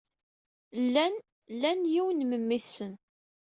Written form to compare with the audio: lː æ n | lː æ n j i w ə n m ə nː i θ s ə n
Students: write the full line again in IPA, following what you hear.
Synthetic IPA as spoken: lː æ n | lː æ n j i w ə n m ə mː i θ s ə n

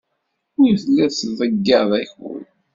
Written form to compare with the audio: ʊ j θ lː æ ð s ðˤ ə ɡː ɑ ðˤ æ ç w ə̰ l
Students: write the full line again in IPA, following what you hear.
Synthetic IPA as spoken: ʊ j θ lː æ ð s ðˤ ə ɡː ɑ ðˤ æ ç w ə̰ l

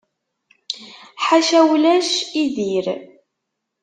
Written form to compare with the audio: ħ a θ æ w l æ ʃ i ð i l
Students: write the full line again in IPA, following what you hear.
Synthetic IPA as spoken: ħ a ʃ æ w l æ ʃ i ð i ɾ

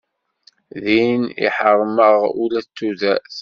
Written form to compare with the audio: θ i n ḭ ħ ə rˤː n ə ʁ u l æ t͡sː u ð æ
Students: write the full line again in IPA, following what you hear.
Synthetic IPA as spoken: ð i n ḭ ħ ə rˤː m ə ʁ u l æ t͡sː u ð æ

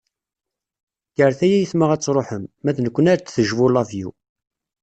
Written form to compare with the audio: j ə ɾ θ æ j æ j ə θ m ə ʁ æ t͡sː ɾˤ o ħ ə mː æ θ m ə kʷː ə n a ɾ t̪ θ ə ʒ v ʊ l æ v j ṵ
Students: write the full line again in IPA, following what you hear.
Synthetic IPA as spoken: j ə ɾ θ æ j æ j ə θ m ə ʁ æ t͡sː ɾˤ o ħ ə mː æ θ n ə kʷː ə n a ɾ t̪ θ ə ʒ v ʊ l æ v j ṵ

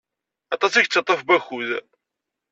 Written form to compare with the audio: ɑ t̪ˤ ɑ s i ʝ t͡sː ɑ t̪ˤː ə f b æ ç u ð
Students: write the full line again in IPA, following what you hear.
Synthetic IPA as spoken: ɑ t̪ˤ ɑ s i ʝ t͡sː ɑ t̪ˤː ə f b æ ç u ð

